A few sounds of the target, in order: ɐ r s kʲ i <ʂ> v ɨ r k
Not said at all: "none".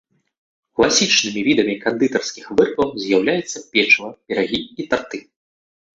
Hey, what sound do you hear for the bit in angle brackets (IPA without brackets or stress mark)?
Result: x